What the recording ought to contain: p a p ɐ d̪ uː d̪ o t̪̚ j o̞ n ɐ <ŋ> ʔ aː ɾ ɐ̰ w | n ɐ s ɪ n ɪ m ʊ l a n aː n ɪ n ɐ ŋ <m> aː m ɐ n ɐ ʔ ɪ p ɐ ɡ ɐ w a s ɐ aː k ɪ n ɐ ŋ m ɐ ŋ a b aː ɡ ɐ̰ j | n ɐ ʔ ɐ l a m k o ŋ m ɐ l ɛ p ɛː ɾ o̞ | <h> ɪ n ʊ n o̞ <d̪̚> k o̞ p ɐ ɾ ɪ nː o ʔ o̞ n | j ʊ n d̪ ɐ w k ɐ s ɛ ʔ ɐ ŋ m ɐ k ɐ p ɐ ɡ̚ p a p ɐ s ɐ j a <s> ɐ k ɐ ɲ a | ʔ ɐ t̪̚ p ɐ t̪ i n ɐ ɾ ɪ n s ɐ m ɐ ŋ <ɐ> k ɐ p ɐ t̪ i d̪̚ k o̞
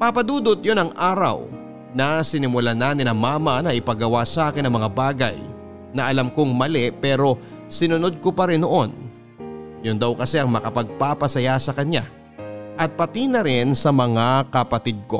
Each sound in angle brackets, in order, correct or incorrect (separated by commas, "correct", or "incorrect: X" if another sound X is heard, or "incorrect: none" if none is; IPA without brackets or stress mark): correct, correct, incorrect: s, correct, correct, incorrect: a